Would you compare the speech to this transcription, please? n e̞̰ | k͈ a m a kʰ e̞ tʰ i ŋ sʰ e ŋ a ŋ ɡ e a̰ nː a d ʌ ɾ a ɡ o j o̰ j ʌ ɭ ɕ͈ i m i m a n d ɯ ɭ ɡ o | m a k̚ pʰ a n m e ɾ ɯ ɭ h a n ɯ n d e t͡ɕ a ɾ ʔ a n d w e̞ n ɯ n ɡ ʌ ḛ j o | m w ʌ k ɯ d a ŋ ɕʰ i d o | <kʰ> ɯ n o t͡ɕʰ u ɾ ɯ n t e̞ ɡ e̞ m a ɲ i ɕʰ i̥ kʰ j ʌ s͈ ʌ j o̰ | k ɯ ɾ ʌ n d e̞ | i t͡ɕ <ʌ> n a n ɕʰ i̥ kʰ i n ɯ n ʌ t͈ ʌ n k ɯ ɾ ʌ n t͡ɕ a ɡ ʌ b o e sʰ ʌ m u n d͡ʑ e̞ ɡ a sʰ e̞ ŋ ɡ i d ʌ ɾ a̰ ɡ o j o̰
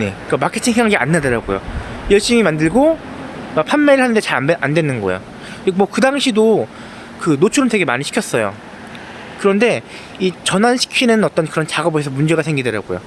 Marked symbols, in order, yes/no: no, yes

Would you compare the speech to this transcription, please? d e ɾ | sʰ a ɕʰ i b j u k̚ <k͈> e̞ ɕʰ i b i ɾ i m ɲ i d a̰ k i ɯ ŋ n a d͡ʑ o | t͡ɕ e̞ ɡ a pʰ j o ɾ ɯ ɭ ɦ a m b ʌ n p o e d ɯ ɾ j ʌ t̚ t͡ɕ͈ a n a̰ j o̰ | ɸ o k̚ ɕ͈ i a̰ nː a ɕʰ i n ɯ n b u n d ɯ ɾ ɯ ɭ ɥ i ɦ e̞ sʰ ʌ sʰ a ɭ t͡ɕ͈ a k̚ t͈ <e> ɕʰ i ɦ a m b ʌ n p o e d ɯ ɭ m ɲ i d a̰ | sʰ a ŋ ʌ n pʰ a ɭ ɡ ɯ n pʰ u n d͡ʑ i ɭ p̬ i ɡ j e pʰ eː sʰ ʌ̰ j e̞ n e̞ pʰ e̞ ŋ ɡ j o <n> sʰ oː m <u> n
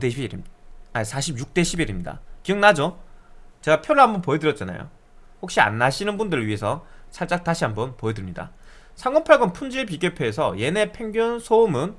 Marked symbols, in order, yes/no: no, no, yes, no

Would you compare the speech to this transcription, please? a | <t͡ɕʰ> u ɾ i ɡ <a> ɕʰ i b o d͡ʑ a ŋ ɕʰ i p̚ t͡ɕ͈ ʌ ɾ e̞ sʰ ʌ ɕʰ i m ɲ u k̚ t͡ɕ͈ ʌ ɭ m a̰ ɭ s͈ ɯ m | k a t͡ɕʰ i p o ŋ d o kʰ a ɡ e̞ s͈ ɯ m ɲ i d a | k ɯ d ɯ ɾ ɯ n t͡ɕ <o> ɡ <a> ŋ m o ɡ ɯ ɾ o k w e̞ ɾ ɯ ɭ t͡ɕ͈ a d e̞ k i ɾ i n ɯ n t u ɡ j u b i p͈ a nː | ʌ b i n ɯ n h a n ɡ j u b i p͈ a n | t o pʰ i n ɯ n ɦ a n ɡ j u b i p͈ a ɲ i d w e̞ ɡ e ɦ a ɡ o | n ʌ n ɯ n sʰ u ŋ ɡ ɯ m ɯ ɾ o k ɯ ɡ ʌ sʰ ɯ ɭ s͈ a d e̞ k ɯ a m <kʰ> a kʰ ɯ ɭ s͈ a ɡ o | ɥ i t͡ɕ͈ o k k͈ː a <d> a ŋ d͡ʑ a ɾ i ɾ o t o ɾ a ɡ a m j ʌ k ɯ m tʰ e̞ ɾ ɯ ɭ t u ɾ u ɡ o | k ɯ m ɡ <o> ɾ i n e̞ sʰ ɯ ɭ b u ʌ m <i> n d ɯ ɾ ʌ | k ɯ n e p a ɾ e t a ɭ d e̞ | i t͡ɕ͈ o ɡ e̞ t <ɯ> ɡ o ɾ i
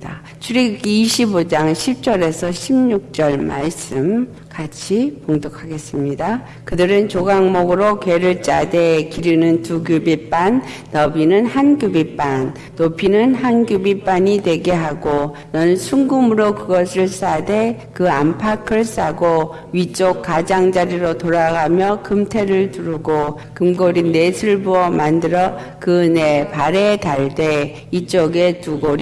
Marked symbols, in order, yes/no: yes, no, yes, yes, no, no, yes, no, no

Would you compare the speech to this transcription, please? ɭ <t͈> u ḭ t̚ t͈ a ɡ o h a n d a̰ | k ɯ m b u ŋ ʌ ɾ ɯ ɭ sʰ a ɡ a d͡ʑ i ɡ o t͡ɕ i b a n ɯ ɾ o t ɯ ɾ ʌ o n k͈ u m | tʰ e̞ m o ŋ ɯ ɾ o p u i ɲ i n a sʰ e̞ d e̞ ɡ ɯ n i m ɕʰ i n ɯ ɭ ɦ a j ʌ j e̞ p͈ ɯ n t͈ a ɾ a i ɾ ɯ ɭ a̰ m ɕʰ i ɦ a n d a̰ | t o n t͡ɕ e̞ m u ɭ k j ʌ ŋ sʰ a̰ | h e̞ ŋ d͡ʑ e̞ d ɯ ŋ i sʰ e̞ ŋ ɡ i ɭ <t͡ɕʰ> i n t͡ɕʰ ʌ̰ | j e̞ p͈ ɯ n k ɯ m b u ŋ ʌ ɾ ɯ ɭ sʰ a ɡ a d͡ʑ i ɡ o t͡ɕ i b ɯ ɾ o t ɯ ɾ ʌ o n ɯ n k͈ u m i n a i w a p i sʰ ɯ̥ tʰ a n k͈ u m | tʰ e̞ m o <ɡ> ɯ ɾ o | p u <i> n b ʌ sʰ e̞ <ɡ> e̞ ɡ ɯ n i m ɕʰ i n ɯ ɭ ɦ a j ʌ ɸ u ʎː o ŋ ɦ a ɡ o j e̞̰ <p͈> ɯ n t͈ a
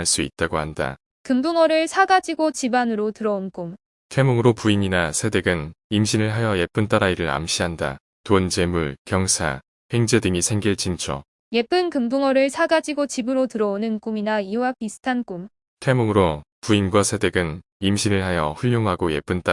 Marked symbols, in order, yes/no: no, no, no, yes, no, yes

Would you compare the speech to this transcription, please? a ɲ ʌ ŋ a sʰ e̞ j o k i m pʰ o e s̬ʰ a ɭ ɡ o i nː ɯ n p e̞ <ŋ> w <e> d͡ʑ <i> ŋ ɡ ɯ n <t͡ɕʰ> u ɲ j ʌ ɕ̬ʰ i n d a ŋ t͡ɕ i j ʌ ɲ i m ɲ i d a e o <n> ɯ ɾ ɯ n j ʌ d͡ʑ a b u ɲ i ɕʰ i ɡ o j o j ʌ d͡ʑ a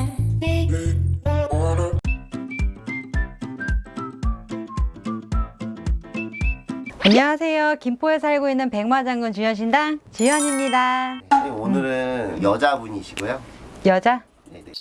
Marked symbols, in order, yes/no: yes, no, no, no, yes

